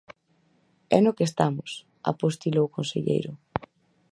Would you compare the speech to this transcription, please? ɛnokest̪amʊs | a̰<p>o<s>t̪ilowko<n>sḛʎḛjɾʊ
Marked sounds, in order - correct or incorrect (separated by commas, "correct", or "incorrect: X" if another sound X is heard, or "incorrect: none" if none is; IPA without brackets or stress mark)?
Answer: correct, correct, correct